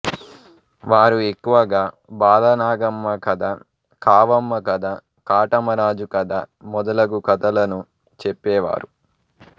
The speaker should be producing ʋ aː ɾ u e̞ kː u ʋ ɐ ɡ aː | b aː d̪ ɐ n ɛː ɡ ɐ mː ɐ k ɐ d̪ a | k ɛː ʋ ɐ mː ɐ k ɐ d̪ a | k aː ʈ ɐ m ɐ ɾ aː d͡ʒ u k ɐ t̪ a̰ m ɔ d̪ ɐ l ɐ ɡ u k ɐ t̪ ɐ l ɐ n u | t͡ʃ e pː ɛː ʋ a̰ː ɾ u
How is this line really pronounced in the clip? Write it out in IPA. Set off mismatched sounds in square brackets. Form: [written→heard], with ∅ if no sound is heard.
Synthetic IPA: ʋ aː ɾ u e̞ kː u ʋ ɐ ɡ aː | b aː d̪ ɐ n [ɛː→aː] ɡ ɐ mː ɐ k ɐ d̪ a | k [ɛː→aː] ʋ ɐ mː ɐ k ɐ d̪ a | k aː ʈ ɐ m ɐ ɾ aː d͡ʒ u k ɐ [t̪→d̪] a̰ m ɔ d̪ ɐ l ɐ ɡ u k ɐ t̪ ɐ l ɐ n u | t͡ʃ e pː ɛː ʋ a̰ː ɾ u